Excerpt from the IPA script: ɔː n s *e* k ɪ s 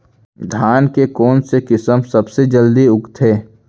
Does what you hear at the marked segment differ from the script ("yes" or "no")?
no